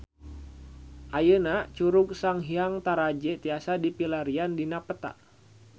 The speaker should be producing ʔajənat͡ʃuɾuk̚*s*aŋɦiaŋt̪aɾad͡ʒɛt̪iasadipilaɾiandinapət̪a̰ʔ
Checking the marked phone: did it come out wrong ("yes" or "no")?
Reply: no